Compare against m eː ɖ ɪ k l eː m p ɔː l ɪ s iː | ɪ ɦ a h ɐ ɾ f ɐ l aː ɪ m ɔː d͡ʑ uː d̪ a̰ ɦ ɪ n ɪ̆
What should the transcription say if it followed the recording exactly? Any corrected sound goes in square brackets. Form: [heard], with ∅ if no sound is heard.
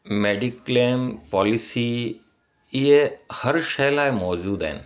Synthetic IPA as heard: m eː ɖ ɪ k l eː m p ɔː l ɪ s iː | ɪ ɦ [e] h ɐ ɾ [ʃ] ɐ l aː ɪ m ɔː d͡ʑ uː d̪ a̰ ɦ ɪ n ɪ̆

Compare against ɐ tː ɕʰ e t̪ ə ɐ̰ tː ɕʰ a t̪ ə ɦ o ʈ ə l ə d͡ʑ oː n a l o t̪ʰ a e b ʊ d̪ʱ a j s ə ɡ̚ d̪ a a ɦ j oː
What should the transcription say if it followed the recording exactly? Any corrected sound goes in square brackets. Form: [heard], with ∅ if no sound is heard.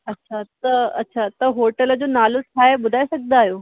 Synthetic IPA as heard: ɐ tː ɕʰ [a] t̪ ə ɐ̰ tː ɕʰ a t̪ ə ɦ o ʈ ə l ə d͡ʑ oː n a l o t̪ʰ a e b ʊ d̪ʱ a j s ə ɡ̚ d̪ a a ɦ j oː

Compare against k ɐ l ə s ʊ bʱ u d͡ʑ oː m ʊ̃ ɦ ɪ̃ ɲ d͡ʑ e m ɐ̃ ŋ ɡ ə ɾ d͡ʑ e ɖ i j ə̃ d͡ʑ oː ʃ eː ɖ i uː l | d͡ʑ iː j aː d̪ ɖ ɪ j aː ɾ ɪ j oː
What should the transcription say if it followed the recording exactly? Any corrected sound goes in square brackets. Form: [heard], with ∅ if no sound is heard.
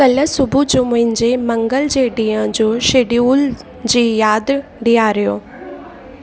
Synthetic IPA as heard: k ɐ l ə s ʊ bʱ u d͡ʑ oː m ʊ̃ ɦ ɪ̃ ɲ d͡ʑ e m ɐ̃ ŋ ɡ ə [l] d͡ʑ e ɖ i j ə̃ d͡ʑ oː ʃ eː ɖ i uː l | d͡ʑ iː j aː d̪ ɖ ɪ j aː ɾ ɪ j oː

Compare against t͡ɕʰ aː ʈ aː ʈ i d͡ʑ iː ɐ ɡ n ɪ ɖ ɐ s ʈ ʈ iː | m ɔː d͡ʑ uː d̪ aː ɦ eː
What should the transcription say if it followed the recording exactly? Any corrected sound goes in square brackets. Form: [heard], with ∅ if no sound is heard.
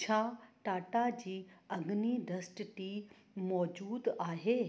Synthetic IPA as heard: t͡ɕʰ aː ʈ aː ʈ [a] d͡ʑ iː ɐ ɡ n [i] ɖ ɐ s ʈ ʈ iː | m ɔː d͡ʑ uː d̪ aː ɦ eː

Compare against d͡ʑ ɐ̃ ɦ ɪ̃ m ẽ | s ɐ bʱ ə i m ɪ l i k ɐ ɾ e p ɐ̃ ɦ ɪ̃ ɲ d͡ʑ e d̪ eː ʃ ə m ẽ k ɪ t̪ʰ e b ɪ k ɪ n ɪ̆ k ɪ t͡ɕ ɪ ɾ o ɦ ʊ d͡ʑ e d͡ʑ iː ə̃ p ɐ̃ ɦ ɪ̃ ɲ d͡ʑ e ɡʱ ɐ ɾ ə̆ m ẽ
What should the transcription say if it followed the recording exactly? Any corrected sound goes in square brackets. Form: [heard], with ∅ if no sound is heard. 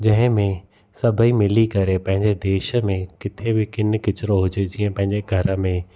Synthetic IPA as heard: d͡ʑ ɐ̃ ɦ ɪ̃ m ẽ | s ɐ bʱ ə i m ɪ l i k ɐ ɾ e p ɐ̃ ɦ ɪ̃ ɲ d͡ʑ e d̪ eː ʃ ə m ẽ k ɪ t̪ʰ e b ɪ k ɪ n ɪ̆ k ɪ t͡ɕ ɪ ɾ o ɦ ʊ d͡ʑ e d͡ʑ iː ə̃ p ɐ̃ ɦ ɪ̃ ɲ d͡ʑ e ɡʱ ɐ ɾ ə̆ m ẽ

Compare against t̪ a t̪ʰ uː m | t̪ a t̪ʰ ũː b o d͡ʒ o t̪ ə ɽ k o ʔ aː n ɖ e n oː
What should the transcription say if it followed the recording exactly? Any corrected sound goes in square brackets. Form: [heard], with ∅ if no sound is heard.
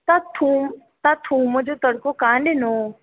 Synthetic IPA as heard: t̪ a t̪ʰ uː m | t̪ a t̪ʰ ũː [m] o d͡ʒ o t̪ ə ɽ k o [k] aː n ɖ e n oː

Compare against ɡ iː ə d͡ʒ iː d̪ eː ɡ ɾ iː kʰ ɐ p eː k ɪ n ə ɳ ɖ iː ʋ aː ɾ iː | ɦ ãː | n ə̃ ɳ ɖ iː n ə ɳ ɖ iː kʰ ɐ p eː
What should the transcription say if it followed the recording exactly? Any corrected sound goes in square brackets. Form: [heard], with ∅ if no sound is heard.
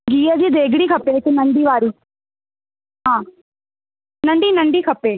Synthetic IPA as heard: ɡ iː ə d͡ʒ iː d̪ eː ɡ [ɽ] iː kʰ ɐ p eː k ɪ n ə ɳ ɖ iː ʋ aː ɾ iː | ɦ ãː | n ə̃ ɳ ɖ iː n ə ɳ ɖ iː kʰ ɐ p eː

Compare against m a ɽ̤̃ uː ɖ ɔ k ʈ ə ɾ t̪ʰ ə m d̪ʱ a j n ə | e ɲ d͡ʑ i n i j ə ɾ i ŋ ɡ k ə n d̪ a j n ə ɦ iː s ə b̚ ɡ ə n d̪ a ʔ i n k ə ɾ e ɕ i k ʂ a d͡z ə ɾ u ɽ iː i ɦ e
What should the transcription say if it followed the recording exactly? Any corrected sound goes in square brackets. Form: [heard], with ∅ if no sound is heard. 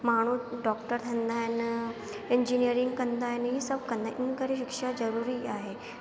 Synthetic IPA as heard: m a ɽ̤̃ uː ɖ ɔ k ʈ ə ɾ t̪ʰ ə [n] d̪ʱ a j n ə | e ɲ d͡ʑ i n i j ə ɾ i ŋ ɡ k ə n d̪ a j n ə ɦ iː s ə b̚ [k] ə n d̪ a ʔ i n k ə ɾ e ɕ i k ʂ a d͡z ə ɾ u [ɾ] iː [a] ɦ e

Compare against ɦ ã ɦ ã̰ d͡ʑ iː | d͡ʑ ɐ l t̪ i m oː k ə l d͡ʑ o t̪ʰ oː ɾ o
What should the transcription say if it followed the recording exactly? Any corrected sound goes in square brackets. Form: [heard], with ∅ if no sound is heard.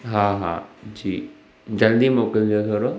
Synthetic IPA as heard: ɦ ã ɦ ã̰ d͡ʑ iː | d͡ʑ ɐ l [d̪] i m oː k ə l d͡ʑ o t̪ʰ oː ɾ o

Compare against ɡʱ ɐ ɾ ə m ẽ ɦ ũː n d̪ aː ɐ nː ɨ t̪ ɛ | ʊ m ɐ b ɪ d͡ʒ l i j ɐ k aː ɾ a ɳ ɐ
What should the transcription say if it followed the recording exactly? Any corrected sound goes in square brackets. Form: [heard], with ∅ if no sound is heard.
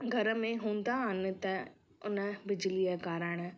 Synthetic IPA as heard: ɡʱ ɐ ɾ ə m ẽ ɦ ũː n d̪ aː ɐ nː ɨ t̪ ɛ | ʊ [n] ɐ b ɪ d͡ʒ l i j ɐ k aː ɾ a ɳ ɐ

